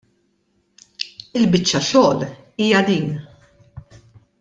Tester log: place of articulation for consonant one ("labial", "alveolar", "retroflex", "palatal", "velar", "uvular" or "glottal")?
alveolar